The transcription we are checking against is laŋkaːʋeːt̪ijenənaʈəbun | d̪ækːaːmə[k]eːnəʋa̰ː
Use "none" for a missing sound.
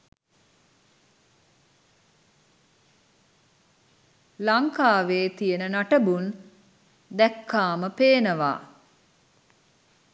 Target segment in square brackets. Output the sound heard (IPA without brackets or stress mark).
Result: p